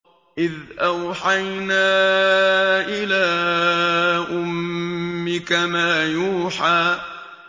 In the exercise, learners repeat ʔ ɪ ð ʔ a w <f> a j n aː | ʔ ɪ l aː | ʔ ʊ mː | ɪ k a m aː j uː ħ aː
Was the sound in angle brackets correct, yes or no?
no